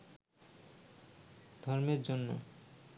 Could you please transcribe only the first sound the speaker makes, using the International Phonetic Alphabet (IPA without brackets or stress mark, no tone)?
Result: d̪ʱ